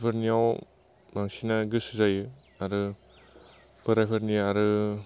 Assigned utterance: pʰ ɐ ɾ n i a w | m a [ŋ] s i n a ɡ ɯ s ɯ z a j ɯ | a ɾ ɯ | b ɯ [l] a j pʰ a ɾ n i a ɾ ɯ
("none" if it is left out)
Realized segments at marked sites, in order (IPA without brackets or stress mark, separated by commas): ŋ, ɾ